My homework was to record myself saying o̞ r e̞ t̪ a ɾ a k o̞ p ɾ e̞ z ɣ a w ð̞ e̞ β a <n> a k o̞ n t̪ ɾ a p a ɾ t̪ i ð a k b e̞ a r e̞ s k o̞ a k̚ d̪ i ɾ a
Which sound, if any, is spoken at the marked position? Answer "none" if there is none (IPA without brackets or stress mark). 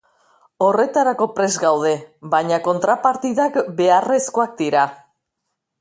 ɲ